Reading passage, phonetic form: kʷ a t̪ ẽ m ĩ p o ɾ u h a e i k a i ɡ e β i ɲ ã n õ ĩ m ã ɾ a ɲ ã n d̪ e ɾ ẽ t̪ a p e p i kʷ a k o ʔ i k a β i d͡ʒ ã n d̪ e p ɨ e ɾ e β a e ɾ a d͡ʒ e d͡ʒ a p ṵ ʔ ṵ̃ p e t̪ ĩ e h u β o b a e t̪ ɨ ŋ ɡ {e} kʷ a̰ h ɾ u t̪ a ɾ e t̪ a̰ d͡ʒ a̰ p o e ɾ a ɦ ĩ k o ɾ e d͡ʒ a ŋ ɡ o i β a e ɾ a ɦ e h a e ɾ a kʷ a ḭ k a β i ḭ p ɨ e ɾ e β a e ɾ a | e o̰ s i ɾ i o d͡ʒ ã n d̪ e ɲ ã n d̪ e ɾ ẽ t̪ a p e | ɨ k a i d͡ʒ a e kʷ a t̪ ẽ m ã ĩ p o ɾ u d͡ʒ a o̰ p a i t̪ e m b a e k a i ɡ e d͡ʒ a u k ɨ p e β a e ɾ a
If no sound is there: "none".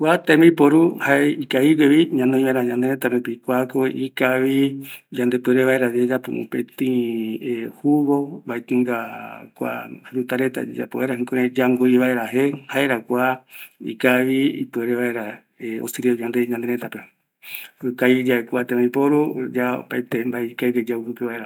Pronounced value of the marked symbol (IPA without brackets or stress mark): a